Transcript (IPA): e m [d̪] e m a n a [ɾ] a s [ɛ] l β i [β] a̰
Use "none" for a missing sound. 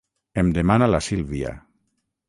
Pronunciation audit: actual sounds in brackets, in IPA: d̪, l, i, none

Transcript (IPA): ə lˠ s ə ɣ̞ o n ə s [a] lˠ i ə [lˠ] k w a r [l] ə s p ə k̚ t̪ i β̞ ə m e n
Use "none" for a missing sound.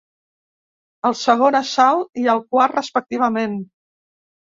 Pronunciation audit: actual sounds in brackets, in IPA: a, lˠ, r

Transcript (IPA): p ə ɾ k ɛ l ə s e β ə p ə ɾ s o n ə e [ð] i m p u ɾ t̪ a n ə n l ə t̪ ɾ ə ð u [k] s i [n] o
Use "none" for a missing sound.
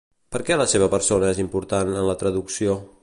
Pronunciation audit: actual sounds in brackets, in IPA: z, k, none

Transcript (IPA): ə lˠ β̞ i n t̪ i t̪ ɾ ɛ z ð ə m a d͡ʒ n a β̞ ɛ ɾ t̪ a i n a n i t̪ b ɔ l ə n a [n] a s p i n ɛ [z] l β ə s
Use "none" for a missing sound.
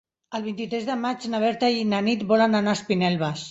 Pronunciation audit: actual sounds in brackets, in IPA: n, none

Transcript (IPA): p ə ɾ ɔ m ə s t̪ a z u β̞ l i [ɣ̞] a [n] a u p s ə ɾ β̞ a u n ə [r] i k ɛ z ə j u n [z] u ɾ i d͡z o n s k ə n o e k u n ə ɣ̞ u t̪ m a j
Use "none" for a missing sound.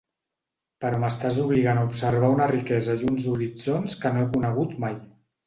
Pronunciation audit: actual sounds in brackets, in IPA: ɣ̞, n, r, z

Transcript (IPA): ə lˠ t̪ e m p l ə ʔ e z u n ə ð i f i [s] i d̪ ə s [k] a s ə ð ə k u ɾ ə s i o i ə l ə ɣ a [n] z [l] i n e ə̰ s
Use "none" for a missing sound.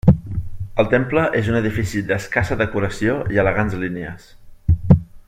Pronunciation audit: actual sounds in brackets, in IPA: s, k, n, l

